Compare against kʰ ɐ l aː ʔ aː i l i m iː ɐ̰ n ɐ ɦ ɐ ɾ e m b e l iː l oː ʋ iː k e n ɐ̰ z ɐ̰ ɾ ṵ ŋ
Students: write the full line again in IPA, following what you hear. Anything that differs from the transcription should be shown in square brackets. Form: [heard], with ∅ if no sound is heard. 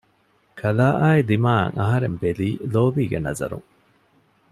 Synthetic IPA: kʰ ɐ l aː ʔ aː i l i m [aː] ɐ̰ [ŋ] ɐ ɦ ɐ ɾ e m b e l iː l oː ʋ iː [ɡ] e n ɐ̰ z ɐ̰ ɾ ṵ ŋ